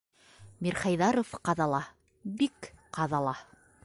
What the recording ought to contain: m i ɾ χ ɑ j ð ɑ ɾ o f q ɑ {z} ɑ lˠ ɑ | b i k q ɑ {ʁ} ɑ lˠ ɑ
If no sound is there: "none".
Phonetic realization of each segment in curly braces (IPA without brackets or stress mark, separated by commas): ð, ð